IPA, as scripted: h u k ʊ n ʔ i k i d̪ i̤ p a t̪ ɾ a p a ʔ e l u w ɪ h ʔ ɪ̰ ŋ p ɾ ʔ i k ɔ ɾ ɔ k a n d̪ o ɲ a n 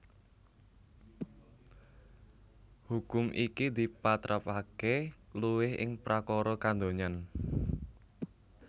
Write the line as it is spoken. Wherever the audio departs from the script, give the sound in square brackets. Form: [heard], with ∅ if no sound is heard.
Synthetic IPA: h u k ʊ [m] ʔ i k i d̪ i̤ p a t̪ ɾ a p a [k] e l u w ɪ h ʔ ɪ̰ ŋ p ɾ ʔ [a] k ɔ ɾ ɔ k a n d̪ o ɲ a n